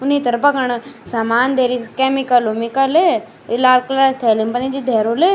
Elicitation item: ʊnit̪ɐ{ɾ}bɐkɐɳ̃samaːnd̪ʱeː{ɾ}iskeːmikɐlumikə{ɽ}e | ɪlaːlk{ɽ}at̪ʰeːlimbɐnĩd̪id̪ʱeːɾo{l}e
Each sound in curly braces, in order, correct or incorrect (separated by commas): correct, correct, incorrect, incorrect, correct